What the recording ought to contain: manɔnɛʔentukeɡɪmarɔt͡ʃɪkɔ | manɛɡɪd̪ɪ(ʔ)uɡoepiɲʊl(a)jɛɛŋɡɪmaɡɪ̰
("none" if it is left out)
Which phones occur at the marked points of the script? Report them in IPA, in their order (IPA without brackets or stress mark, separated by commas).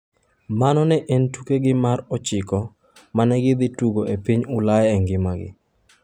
t, a